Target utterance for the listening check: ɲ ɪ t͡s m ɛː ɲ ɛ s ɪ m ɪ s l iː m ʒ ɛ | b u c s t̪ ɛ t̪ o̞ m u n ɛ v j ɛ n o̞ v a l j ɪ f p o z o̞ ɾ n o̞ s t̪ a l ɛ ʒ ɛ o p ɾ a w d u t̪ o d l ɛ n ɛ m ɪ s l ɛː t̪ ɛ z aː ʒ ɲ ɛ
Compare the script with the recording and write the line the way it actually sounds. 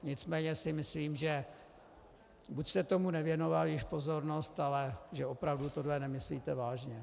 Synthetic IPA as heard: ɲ ɪ t͡s m ɛː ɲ ɛ s ɪ m ɪ s l iː m ʒ ɛ | b u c s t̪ ɛ t̪ o̞ m u n ɛ v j ɛ n o̞ v a l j ɪ ʃ p o z o̞ ɾ n o̞ s t̪ a l ɛ ʒ ɛ o p ɾ a v d u t̪ o d l ɛ n ɛ m ɪ s l iː t̪ ɛ v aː ʒ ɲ ɛ